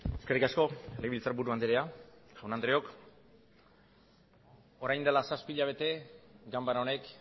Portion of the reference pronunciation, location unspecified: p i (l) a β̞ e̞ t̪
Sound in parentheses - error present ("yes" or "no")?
yes